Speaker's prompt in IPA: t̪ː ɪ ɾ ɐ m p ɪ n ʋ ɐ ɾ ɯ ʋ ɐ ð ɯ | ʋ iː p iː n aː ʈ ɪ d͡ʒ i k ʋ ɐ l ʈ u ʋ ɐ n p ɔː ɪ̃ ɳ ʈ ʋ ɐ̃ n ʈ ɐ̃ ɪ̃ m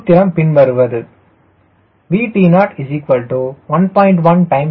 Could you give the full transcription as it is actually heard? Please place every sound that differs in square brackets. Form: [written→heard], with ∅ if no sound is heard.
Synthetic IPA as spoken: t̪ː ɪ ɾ ɐ m p ɪ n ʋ ɐ ɾ ɯ ʋ ɐ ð ɯ | ʋ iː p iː n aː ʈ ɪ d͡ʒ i k ʋ ɐ l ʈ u ʋ ɐ n p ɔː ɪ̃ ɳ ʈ ʋ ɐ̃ n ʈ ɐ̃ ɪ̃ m

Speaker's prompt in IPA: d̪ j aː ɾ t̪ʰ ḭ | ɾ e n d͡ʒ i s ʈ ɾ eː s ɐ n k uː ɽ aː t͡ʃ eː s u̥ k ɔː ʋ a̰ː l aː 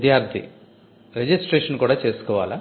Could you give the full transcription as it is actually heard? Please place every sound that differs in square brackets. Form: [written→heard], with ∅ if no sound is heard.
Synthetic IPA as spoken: d̪ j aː ɾ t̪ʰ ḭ | ɾ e [n→∅] d͡ʒ i s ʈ ɾ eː [s→ʂ] ɐ n k uː ɽ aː t͡ʃ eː s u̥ k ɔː ʋ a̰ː l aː

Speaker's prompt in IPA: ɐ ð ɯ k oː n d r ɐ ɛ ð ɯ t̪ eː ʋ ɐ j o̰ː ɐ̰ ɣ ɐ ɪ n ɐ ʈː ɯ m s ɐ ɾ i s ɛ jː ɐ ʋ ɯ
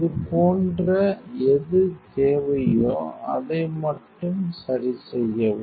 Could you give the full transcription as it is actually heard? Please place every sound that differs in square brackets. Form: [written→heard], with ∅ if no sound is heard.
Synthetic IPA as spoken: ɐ ð ɯ [k→p] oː n d r ɐ ɛ ð ɯ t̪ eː ʋ ɐ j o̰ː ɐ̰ [ɣ→ð] ɐ ɪ [n→m] ɐ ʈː ɯ m s ɐ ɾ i s ɛ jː ɐ ʋ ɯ

